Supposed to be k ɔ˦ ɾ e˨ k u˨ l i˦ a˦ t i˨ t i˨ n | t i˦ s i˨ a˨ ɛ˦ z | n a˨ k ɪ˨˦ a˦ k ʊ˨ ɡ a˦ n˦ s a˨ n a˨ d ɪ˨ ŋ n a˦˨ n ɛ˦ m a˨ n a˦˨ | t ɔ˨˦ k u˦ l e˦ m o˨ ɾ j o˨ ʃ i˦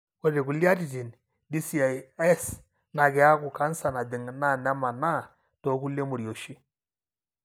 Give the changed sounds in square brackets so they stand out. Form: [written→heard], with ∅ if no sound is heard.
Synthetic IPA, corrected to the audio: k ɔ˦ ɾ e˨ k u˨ l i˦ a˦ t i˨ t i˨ n | [t→d] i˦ s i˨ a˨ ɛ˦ [z→s] | n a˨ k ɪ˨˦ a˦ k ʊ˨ [ɡ→k] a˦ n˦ s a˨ n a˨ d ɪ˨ ŋ n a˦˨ n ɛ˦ m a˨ n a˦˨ | t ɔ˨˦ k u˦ l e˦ m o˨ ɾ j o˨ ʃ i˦